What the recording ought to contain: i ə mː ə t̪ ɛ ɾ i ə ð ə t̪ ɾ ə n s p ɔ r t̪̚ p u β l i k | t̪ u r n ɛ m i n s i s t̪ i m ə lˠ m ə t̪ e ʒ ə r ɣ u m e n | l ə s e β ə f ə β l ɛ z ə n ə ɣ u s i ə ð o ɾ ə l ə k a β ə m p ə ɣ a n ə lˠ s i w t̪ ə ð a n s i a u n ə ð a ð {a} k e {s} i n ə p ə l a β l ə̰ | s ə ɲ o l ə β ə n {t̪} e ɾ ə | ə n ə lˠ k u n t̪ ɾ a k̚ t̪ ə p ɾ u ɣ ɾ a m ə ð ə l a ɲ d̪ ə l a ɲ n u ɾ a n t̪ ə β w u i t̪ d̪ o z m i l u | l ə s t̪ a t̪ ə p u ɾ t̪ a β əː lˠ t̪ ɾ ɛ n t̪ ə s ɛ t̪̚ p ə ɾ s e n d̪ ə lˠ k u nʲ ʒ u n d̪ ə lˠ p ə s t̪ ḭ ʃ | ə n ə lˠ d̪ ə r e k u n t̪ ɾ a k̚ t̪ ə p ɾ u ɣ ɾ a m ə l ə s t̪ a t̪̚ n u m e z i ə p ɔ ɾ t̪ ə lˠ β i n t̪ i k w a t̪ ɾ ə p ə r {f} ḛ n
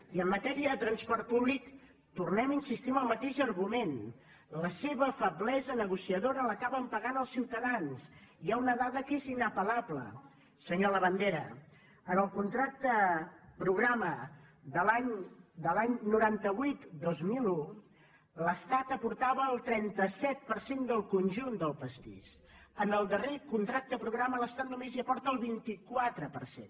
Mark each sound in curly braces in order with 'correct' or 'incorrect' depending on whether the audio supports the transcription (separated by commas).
incorrect, incorrect, incorrect, incorrect